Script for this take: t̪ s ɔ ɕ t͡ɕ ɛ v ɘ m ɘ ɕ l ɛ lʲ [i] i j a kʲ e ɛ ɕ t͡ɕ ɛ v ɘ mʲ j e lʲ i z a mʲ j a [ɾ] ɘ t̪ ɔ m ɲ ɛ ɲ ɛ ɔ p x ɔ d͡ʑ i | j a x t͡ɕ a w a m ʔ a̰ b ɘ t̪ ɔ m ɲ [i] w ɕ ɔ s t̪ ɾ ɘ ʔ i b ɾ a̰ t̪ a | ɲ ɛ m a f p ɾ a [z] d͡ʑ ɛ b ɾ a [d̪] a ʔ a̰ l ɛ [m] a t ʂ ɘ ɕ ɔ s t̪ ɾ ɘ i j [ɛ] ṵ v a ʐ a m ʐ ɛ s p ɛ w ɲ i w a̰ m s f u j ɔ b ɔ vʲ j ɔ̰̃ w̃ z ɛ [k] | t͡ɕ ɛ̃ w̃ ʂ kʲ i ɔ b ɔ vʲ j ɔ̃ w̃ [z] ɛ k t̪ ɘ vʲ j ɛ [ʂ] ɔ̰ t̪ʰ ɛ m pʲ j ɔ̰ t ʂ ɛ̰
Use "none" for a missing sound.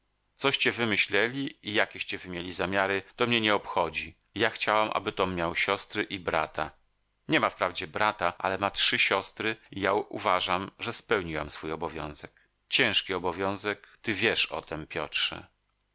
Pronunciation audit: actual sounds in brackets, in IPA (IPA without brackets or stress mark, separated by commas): i, ɾ, a, v, t̪, m, a, k, z, ʂ